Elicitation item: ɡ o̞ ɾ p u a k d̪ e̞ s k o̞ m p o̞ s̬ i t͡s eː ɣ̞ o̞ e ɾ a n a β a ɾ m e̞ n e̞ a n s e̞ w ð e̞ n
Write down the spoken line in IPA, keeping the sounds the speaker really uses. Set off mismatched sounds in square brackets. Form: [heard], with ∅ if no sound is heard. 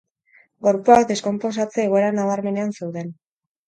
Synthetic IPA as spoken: ɡ o̞ ɾ p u a k d̪ e̞ s k o̞ m p o̞ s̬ [a] t͡s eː ɣ̞ o̞ e ɾ a n a β a ɾ m e̞ n e̞ a n s e̞ w ð e̞ n

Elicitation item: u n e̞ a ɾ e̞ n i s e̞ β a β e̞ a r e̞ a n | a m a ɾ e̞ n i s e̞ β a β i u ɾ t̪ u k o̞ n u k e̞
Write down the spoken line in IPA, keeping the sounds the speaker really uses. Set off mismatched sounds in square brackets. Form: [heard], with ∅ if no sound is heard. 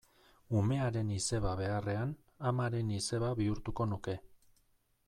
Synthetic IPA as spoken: u [m] e̞ a ɾ e̞ n i s e̞ β a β e̞ a r e̞ a n | a m a ɾ e̞ n i s e̞ β a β i u ɾ t̪ u k o̞ n u k e̞

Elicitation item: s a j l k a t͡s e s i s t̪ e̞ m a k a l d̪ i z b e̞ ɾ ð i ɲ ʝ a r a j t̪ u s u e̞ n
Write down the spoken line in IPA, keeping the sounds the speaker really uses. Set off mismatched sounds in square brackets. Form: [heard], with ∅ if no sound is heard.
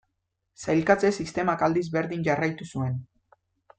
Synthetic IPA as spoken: s a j l k a t͡s e s i s t̪ e̞ m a k a l d̪ i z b e̞ ɾ ð i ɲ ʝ a r a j t̪ u s u e̞ n

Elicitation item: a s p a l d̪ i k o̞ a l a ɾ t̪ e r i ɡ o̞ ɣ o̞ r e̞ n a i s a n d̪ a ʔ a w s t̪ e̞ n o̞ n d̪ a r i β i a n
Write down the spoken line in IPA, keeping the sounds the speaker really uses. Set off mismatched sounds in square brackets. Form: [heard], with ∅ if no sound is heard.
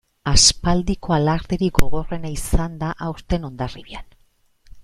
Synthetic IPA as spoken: a s p a l d̪ i k o̞ a l a ɾ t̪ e [ɾ] i ɡ o̞ ɣ o̞ r e̞ n a i s a n d̪ a ʔ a w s t̪ e̞ n o̞ n d̪ a r i β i a n

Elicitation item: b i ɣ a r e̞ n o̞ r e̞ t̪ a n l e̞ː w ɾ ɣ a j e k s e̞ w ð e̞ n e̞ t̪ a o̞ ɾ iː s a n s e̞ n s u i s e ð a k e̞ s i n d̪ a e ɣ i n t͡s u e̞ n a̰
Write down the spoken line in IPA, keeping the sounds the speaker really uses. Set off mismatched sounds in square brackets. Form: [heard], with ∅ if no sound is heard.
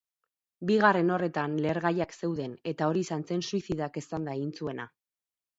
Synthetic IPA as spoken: b i ɣ a r e̞ n o̞ r e̞ t̪ a n l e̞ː [∅] ɾ ɣ a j [a] k s e̞ w ð e̞ n e̞ t̪ a o̞ ɾ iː s a n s e̞ n s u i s [i] ð a k e̞ s [a] n d̪ a e ɣ i n t͡s u e̞ n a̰

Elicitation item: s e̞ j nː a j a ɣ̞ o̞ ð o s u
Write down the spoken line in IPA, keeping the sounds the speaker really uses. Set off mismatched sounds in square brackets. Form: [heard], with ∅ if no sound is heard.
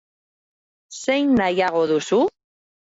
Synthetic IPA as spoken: s e̞ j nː a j a ɣ̞ o̞ ð [u] s u

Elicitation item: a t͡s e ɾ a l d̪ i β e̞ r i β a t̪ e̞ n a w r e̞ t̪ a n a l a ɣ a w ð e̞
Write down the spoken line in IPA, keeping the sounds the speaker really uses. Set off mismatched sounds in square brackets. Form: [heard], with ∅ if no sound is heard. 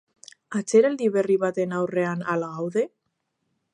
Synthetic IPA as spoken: a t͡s e ɾ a l d̪ i β e̞ r i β a t̪ e̞ n a w r e̞ [∅] a n a l a ɣ a w ð e̞

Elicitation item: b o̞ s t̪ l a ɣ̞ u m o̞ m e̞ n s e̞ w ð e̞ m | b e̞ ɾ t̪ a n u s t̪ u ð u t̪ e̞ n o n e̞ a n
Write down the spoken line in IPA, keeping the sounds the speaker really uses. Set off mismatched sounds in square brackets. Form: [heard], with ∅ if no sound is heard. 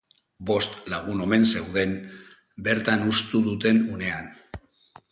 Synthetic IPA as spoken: b o̞ s t̪ l a ɣ̞ u [n] o̞ m e̞ n s e̞ w ð e̞ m | b e̞ ɾ t̪ a n u s t̪ u ð u t̪ e̞ n [u] n e̞ a n

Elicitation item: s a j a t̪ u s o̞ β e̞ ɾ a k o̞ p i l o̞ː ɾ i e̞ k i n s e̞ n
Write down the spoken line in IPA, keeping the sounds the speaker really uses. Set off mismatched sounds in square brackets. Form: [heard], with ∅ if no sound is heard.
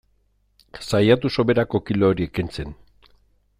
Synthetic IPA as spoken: s a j a t̪ u s o̞ β e̞ ɾ a k o̞ [k] i l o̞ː ɾ i e̞ k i n [t͡s] e̞ n

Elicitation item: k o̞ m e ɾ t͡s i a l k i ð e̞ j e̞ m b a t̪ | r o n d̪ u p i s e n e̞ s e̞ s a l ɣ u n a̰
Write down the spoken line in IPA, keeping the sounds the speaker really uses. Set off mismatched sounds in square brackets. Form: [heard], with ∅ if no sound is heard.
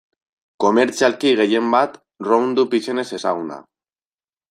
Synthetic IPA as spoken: k o̞ m e ɾ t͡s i a l k i [ɣ] e̞ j e̞ m b a t̪ | r o n d̪ u p i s e n e̞ s e̞ s a [∅] ɣ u n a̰

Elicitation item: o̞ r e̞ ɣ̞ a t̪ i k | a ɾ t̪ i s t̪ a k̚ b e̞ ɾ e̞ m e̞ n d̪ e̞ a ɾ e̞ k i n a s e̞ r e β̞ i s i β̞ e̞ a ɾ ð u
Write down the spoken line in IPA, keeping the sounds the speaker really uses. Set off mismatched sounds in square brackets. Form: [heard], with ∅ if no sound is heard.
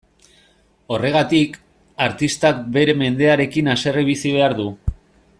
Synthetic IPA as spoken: o̞ r e̞ ɣ̞ a t̪ i k | a ɾ t̪ i s t̪ a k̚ b e̞ ɾ e̞ m e̞ n d̪ e̞ a ɾ e̞ k i n a s e̞ r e β̞ i s i β̞ e̞ a ɾ ð u

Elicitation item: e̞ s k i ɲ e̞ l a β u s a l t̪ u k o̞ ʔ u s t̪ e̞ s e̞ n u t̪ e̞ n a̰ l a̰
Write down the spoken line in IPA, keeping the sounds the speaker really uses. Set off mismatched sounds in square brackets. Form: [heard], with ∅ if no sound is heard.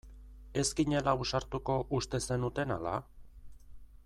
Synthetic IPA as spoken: e̞ s k i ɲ e̞ l a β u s a [ɾ] t̪ u k o̞ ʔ u s t̪ e̞ s e̞ n u t̪ e̞ n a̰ l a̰

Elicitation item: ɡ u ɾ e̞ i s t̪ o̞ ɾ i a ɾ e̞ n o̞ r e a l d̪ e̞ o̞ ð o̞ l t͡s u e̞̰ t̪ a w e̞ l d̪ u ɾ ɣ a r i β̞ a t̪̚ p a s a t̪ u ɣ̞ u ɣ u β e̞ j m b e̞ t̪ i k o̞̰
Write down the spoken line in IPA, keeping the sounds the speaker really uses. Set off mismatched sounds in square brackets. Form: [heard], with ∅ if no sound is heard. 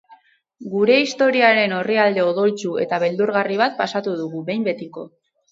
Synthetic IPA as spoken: ɡ u ɾ e̞ i s t̪ o̞ ɾ i a ɾ e̞ n o̞ r [i] a l d̪ e̞ o̞ ð o̞ l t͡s u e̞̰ t̪ a [β] e̞ l d̪ u ɾ ɣ a r i β̞ a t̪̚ p a s a t̪ u [ð̞] u ɣ u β e̞ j m b e̞ t̪ i k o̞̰

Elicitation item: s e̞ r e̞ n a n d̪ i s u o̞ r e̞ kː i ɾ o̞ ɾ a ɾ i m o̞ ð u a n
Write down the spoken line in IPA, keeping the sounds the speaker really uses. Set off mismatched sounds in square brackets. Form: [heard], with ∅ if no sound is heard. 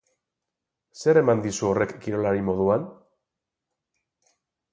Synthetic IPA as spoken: s e̞ [ɾ] e̞ [m] a n d̪ i s u o̞ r e̞ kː i ɾ o̞ [l] a ɾ i m o̞ ð u a n

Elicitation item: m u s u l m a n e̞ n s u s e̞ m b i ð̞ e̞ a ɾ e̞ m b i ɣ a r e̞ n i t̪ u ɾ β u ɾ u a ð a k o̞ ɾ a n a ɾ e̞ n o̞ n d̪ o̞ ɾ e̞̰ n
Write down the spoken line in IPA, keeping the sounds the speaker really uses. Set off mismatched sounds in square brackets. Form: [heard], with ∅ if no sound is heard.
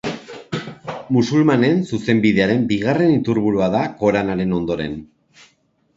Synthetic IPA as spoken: m u s u l m a n e̞ n s u s e̞ m b i ð̞ e̞ a ɾ e̞ m b i ɣ a r e̞ n i t̪ u ɾ β u ɾ u a ð a k o̞ ɾ a n a ɾ e̞ n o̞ n d̪ o̞ ɾ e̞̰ n

